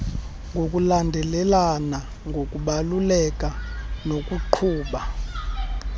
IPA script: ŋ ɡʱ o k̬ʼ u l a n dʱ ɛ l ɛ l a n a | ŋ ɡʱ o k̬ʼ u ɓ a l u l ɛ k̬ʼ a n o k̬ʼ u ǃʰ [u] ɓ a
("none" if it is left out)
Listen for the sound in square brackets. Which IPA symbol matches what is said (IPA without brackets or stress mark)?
uː